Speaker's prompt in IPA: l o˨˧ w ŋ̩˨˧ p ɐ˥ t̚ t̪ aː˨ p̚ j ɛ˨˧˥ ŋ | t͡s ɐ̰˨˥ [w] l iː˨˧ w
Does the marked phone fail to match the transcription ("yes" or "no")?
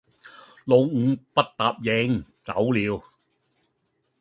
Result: no